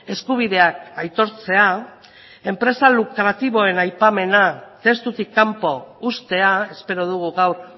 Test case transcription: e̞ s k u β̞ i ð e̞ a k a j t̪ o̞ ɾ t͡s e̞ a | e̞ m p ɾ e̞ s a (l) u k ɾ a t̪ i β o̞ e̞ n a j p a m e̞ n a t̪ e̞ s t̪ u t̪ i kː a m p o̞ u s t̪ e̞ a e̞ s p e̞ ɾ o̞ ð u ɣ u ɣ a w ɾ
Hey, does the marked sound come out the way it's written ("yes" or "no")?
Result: yes